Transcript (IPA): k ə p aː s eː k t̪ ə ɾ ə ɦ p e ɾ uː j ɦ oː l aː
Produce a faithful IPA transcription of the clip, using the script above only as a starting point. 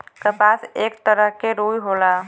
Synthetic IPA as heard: k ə p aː s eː k t̪ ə ɾ ə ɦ k e ɾ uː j ɦ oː l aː